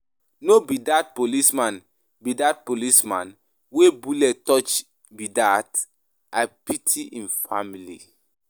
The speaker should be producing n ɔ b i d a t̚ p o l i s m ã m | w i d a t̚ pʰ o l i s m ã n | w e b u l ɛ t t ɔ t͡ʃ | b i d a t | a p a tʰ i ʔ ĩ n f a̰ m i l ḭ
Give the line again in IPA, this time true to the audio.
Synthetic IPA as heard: n o b i d a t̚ p o l i s m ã n | b i d a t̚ p o l i s m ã n | w e b u l ɛ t t ɔ t͡ʃ | b i d a t | a p i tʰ i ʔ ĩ n f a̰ m i l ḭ